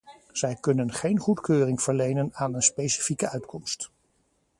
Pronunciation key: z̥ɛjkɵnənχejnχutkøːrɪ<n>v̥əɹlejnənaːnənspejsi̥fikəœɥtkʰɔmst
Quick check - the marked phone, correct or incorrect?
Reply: incorrect